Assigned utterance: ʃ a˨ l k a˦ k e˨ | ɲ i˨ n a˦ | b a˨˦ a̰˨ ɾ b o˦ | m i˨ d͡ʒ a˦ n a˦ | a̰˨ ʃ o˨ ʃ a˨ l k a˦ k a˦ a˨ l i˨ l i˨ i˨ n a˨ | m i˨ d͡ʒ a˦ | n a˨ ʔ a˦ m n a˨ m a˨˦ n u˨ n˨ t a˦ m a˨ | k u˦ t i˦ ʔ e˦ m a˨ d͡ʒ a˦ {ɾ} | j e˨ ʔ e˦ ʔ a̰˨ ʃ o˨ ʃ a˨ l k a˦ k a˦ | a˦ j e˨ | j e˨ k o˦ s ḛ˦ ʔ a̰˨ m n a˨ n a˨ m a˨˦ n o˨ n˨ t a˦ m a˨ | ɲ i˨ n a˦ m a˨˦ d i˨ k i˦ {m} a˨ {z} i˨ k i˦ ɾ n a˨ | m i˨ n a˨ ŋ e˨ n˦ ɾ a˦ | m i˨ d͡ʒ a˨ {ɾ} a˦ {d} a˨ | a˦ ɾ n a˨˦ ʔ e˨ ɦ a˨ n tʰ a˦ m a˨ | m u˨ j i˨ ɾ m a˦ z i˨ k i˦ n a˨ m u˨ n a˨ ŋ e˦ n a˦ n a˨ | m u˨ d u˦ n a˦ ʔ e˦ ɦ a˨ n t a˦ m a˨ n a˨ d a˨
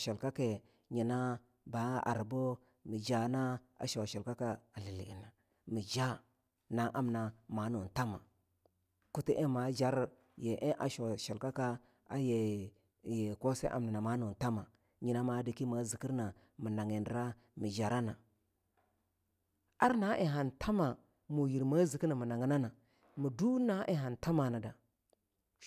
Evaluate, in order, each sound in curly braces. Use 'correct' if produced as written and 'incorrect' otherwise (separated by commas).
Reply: correct, correct, correct, correct, incorrect